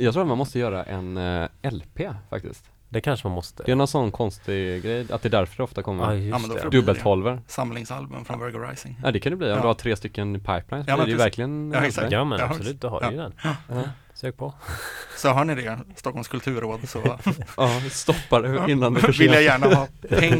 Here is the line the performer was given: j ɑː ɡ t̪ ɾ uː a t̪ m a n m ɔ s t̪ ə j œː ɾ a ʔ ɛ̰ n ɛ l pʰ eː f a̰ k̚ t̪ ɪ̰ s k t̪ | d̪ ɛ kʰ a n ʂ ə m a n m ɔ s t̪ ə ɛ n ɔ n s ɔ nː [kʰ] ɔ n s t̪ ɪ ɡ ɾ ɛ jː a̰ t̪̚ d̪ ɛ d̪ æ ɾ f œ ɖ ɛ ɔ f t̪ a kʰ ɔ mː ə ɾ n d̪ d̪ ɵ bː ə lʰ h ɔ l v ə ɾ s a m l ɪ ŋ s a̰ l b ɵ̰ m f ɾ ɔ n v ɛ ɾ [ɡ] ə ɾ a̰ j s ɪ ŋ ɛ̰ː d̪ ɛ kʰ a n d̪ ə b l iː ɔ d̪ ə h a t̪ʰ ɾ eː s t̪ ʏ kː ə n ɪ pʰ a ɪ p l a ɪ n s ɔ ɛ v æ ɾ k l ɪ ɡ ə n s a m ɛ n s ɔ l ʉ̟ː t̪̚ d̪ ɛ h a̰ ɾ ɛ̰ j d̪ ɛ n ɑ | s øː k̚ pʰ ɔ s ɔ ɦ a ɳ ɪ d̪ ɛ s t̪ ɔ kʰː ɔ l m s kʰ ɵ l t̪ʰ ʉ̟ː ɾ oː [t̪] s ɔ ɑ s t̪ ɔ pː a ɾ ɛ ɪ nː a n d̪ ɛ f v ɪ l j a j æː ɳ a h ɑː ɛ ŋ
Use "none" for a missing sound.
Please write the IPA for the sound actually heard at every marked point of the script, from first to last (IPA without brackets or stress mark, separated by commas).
kʰ, ɡ, d̪